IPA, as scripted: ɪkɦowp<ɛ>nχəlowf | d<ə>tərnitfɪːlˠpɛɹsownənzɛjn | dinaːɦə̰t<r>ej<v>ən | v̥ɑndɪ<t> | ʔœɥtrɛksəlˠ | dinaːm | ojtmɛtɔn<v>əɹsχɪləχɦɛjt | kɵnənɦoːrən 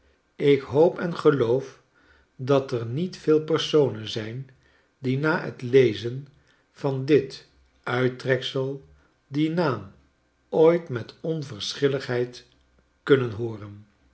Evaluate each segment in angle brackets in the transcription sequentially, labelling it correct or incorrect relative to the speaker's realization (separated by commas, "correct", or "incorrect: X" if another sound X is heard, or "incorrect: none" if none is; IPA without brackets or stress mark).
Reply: correct, incorrect: ɑ, incorrect: l, incorrect: z, correct, correct